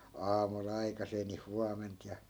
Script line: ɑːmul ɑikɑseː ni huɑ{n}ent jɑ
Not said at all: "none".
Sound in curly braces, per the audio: m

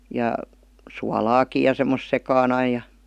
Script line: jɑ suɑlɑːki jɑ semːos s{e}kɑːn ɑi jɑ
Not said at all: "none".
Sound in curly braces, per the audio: e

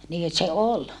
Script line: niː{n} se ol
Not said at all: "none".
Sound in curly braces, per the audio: none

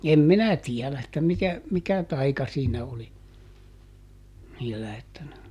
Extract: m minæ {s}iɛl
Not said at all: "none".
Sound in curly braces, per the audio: t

